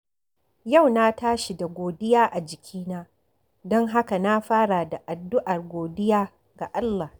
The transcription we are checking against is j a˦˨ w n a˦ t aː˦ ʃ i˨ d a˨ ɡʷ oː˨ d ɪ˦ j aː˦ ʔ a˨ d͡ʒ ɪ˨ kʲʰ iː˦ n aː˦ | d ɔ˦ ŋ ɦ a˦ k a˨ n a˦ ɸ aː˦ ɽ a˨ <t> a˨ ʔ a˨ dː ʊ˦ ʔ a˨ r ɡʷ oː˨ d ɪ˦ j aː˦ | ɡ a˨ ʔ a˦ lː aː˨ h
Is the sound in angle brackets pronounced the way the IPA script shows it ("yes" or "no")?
no